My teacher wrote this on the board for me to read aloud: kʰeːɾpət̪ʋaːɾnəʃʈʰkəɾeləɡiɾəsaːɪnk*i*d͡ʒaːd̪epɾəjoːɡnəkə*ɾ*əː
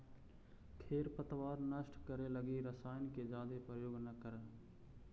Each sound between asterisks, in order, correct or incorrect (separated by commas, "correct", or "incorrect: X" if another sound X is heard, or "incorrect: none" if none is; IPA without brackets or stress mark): incorrect: e, correct